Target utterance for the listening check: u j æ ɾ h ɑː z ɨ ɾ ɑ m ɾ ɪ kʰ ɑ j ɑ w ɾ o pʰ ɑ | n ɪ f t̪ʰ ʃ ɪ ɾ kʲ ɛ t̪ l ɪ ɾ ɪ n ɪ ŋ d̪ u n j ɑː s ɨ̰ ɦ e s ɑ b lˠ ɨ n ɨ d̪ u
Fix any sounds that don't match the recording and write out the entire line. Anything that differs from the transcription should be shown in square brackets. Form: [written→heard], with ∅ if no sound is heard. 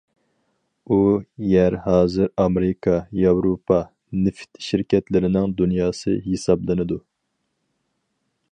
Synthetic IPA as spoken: u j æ ɾ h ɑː z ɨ ɾ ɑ m ɾ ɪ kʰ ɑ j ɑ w ɾ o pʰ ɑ | n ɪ f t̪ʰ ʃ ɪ ɾ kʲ ɛ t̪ l ɪ ɾ ɪ n ɪ ŋ d̪ u n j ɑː s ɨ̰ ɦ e s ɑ b lˠ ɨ n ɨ d̪ u